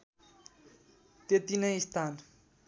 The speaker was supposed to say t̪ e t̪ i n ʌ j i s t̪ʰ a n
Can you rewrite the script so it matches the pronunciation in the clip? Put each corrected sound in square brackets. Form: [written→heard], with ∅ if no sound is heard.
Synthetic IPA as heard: t̪ e t̪ i n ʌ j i s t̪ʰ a n